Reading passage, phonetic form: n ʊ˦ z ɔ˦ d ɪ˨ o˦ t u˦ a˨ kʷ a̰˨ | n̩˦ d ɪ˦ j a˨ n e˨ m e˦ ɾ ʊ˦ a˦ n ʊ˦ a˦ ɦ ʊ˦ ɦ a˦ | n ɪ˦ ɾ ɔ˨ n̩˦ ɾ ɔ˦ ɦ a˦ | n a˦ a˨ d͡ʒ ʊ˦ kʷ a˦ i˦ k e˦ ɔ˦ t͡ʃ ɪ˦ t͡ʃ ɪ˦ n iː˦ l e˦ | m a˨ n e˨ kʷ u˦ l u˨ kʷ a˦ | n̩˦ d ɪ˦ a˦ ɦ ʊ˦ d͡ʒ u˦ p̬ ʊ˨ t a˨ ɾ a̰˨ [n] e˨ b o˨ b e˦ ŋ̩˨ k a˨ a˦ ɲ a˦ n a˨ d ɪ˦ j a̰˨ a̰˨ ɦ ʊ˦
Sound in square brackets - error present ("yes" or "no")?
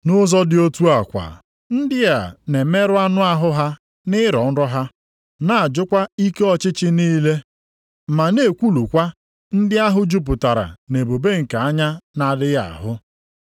no